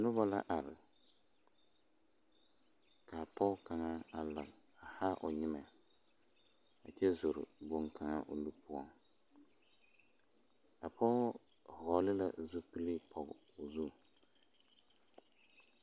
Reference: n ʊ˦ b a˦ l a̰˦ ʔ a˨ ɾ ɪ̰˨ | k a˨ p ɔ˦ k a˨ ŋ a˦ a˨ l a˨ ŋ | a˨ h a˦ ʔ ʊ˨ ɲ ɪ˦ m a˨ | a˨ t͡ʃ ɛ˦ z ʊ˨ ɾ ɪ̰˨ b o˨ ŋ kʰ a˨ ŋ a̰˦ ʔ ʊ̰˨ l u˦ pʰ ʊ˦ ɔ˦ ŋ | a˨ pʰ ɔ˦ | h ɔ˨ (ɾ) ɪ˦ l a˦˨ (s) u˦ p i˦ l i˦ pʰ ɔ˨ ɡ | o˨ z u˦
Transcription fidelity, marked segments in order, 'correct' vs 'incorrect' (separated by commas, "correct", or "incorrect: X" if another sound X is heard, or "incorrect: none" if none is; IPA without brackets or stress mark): incorrect: l, incorrect: z